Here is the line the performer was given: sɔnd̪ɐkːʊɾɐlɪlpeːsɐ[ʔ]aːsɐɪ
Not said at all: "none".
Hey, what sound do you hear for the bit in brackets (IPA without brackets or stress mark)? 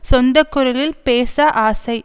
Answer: ʔ